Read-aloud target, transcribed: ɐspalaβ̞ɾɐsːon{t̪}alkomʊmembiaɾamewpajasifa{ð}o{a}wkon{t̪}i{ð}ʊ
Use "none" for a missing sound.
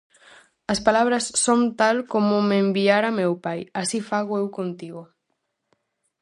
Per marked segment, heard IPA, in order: t̪, ɣ, e, t̪, ɣ

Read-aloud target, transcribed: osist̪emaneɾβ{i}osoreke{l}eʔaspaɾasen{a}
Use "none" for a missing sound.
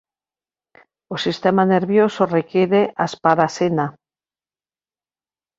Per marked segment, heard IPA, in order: j, ɾ, a

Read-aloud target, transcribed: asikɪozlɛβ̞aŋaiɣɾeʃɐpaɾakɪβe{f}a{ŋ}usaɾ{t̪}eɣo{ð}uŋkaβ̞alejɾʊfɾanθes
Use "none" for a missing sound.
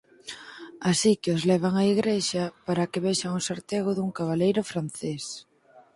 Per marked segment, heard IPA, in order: ʃ, ŋ, t̪, ð

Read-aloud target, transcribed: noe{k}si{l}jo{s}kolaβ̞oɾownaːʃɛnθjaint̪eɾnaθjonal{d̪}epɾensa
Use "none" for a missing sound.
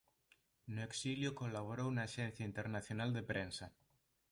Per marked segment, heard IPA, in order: k, l, none, d̪

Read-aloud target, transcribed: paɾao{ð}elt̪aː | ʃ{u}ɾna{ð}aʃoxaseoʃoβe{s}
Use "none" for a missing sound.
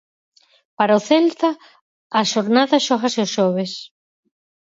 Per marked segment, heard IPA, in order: θ, o, ð, s

